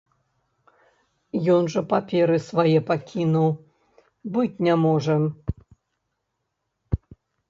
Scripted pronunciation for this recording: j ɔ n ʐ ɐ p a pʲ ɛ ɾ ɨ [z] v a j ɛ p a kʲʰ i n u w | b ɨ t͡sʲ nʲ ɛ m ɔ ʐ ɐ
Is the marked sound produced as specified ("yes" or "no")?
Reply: no